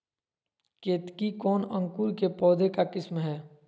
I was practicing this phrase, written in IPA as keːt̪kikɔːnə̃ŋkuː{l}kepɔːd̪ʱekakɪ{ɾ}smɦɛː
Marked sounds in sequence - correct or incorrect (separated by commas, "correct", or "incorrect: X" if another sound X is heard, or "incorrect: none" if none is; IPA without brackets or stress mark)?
incorrect: ɾ, incorrect: none